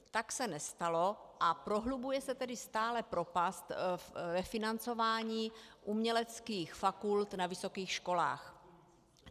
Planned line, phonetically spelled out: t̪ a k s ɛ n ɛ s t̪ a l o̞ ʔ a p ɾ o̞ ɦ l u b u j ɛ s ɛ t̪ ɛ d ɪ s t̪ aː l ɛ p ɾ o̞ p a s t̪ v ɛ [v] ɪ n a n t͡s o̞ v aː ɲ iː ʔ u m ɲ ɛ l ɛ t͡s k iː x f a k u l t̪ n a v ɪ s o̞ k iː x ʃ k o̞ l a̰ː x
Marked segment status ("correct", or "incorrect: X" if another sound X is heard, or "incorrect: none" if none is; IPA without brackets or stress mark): incorrect: f